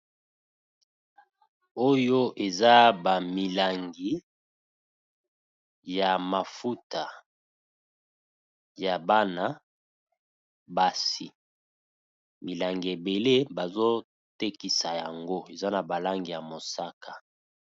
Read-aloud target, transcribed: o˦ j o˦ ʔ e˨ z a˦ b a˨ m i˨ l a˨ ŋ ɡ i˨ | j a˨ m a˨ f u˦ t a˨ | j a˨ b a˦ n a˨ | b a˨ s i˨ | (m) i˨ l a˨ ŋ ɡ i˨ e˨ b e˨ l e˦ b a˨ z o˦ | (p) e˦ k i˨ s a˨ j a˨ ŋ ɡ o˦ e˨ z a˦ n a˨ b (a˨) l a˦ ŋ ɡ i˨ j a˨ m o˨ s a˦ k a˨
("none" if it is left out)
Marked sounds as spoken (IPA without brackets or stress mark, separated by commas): m, t, a˨